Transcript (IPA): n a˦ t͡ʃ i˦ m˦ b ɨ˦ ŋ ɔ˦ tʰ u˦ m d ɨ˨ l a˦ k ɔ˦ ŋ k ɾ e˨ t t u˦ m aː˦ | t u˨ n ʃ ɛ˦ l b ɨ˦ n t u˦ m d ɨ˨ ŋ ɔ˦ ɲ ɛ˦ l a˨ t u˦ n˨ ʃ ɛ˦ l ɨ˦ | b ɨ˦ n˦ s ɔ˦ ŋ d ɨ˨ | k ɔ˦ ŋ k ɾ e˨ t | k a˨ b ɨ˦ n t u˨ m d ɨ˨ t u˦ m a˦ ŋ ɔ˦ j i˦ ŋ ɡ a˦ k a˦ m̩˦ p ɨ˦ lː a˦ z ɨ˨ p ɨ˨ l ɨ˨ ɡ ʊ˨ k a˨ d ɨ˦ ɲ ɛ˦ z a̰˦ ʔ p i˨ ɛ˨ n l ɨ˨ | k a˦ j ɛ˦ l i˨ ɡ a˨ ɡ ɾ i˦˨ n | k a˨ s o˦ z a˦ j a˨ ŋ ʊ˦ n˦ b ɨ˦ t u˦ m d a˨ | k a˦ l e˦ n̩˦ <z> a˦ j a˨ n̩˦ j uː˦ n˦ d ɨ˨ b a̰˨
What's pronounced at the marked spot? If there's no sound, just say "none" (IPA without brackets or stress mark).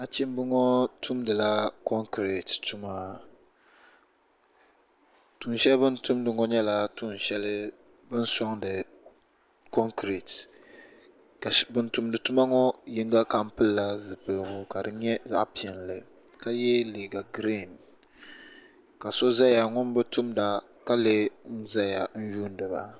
z